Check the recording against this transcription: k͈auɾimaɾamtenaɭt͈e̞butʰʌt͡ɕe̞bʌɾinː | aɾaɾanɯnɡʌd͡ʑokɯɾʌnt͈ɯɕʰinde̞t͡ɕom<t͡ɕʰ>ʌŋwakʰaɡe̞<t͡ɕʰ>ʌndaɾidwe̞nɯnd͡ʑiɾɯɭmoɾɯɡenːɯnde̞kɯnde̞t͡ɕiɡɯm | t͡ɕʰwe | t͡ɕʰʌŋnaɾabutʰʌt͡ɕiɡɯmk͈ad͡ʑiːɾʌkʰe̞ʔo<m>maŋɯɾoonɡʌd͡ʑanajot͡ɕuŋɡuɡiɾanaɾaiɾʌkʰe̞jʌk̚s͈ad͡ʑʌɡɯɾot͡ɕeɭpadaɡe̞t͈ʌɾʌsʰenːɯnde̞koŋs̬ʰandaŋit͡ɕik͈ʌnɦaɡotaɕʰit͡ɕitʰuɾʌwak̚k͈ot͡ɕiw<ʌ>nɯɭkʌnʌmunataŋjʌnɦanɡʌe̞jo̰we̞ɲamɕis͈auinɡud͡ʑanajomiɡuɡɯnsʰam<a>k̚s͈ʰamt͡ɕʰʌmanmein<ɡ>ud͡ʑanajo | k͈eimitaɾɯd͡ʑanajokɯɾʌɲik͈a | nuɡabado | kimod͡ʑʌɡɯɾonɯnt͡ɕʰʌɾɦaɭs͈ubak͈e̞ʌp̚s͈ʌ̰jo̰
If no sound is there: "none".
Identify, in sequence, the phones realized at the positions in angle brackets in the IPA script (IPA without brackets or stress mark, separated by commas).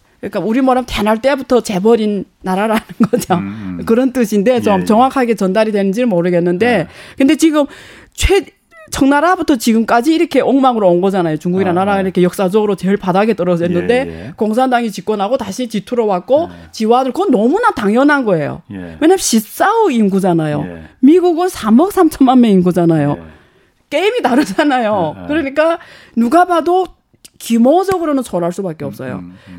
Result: t͡ɕ, t͡ɕ, ŋ, a, ʌ, ɡ